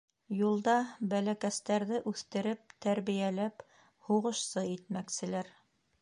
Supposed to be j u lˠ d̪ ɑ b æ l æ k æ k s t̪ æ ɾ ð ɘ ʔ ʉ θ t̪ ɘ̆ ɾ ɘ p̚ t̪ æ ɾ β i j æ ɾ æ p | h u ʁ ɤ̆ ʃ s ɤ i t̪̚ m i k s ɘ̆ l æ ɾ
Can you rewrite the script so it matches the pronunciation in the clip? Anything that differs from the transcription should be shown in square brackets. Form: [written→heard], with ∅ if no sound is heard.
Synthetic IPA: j u lˠ d̪ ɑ b æ l æ k æ [k→∅] s t̪ æ ɾ ð ɘ ʔ ʉ θ t̪ ɘ̆ ɾ ɘ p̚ t̪ æ ɾ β i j æ [ɾ→l] æ p | h u ʁ ɤ̆ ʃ s ɤ i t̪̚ m [i→æ] k s ɘ̆ l æ ɾ